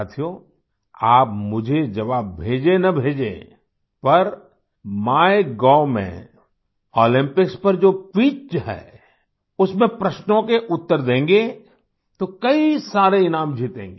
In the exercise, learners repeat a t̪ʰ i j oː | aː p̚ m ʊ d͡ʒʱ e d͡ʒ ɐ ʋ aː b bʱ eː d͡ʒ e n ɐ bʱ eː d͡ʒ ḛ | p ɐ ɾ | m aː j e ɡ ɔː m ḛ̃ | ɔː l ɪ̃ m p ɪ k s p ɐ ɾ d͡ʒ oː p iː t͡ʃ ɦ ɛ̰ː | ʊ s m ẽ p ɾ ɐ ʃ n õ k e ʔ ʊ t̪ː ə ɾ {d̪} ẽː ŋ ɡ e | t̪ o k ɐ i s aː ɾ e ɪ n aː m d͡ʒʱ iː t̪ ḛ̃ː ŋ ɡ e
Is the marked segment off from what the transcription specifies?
no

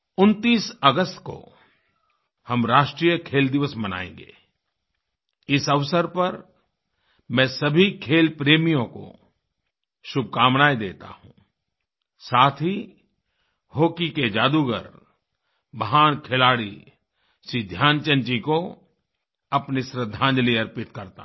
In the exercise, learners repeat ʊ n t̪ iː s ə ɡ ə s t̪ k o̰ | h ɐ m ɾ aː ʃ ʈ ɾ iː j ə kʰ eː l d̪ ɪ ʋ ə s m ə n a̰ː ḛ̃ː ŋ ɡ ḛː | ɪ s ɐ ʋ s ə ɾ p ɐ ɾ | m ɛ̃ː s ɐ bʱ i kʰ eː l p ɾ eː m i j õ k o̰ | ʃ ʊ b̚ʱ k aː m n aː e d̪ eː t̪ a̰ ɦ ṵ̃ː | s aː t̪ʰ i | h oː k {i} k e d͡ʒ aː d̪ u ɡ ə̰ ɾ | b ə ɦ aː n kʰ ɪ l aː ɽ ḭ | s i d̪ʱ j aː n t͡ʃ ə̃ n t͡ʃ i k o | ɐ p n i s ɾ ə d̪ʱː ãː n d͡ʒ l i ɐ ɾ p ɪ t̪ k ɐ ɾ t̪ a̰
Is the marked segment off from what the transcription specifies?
no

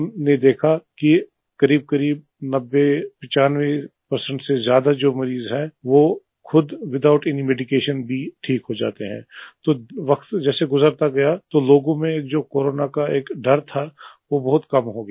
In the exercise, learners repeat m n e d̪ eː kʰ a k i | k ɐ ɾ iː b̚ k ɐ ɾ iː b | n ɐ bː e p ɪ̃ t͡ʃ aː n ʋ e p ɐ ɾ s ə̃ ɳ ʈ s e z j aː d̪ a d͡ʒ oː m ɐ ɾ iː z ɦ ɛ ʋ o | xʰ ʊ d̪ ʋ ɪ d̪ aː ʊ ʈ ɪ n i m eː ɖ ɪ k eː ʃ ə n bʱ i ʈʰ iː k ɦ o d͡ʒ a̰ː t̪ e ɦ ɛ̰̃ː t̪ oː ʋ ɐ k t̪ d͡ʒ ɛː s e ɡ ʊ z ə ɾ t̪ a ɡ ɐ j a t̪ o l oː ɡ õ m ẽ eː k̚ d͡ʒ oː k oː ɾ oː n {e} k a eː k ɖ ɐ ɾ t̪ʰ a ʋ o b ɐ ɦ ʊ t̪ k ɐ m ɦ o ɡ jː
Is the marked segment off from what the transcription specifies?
yes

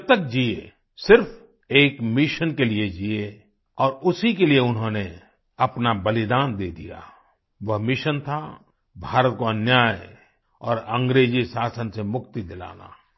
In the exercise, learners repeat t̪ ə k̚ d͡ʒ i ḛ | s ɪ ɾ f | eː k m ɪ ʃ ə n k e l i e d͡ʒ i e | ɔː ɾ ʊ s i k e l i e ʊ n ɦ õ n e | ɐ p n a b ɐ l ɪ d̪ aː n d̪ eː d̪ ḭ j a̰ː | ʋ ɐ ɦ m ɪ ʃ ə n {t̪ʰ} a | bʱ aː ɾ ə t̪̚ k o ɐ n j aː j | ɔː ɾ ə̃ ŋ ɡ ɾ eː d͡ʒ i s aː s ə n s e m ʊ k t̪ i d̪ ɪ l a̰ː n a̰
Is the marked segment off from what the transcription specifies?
no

